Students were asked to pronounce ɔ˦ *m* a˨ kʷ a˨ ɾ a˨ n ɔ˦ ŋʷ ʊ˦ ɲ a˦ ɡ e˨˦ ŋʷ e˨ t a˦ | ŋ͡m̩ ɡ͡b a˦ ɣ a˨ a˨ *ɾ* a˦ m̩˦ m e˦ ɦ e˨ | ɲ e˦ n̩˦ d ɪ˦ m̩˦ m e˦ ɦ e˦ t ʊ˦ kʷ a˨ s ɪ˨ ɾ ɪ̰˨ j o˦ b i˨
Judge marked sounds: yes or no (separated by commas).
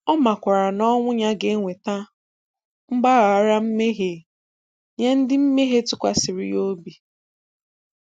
yes, yes